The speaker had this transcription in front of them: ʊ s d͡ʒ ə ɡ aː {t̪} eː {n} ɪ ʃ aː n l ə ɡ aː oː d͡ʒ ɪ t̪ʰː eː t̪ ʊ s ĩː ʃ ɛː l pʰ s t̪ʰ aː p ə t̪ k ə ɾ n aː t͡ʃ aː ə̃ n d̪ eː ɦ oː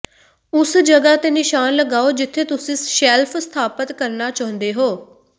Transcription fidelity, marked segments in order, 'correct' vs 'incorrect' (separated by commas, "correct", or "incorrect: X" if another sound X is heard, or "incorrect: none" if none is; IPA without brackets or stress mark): correct, correct